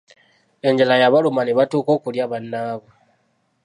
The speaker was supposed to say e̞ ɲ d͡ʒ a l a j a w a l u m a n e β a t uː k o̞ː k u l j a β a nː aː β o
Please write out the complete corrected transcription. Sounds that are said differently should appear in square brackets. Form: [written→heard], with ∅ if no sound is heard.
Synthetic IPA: e̞ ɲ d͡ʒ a l a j a [w→β] a l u m a n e β a t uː k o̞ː k u l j a β a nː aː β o